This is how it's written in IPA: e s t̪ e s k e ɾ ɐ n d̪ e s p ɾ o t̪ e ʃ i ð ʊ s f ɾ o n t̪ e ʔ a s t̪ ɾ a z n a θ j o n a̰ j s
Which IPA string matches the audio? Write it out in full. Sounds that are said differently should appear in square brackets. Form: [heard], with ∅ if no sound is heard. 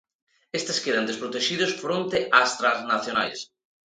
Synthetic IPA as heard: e s t̪ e s k e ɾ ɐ n d̪ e s p ɾ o t̪ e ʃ i ð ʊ s f ɾ o n t̪ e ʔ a s t̪ ɾ a z n a θ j o n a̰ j s